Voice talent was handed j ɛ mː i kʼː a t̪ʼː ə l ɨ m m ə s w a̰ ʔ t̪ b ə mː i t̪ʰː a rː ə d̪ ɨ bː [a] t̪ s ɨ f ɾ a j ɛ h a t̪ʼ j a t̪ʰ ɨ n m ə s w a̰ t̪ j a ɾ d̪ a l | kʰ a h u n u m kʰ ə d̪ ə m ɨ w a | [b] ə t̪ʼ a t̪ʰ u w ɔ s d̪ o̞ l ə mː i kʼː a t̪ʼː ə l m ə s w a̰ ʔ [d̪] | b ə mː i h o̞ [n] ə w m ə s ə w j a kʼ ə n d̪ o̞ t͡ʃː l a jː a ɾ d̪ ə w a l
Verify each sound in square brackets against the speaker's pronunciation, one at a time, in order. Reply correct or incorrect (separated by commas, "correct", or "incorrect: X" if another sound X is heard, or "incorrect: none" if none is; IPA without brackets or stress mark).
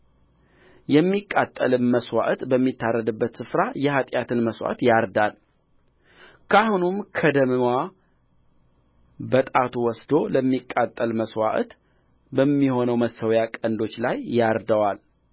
incorrect: ə, correct, incorrect: t̪, correct